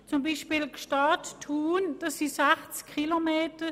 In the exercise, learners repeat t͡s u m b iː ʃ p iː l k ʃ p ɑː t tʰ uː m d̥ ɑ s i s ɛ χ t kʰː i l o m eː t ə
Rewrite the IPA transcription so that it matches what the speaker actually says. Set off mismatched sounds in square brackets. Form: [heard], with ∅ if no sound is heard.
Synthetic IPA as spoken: t͡s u m b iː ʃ p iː l k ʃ [t] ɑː t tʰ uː [n] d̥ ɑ s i s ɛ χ [t͡s] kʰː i l o m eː t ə